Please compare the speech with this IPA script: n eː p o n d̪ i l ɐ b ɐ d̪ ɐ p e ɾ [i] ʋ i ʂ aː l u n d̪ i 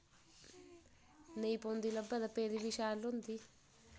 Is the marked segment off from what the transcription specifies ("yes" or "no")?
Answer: no